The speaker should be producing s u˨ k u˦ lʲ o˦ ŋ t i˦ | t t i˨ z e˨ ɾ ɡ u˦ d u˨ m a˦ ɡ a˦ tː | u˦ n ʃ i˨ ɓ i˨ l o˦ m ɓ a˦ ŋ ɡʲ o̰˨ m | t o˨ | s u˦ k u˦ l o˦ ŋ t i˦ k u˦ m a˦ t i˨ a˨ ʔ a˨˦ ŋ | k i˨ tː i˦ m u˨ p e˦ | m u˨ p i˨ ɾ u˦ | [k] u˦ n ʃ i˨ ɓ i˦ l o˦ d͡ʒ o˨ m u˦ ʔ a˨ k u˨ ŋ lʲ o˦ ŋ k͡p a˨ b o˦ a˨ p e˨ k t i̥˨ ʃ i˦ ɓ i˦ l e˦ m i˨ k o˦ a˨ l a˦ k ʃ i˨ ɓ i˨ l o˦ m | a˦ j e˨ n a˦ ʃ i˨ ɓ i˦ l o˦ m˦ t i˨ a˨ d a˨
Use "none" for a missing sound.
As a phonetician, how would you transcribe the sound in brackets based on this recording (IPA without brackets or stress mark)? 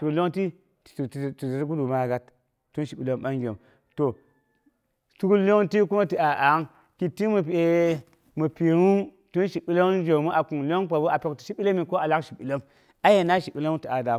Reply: t